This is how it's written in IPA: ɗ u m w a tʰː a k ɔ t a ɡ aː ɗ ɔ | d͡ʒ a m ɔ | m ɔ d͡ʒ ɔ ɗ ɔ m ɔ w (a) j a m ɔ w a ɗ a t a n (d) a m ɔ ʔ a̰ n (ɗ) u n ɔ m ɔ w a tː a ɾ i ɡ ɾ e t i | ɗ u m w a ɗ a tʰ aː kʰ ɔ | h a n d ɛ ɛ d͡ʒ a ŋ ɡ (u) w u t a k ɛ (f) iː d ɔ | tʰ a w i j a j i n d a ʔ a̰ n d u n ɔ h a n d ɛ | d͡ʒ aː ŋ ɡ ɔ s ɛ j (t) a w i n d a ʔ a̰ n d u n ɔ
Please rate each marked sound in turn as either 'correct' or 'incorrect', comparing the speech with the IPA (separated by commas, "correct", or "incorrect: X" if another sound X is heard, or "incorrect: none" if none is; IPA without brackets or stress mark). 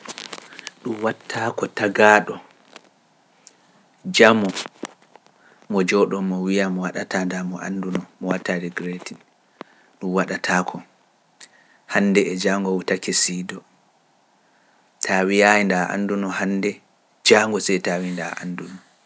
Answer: incorrect: i, correct, incorrect: d, incorrect: ɔ, incorrect: s, correct